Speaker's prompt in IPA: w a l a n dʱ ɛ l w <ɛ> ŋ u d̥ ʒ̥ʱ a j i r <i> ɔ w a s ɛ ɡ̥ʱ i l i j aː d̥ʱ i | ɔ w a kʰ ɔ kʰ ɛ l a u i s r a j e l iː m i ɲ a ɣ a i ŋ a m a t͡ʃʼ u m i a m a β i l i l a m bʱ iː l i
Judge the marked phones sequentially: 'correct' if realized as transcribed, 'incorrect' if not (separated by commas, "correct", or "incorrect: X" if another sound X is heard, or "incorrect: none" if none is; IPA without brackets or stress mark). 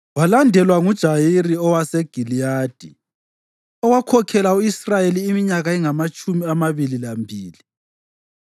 incorrect: a, correct